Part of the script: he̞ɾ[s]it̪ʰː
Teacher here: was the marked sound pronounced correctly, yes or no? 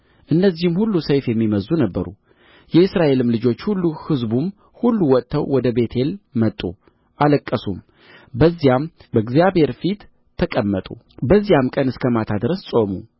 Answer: no